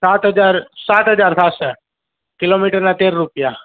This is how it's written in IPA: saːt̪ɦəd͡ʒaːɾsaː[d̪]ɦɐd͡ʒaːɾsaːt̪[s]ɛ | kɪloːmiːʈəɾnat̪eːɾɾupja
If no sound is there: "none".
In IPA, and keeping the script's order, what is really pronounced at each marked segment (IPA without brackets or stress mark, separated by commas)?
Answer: t̪, s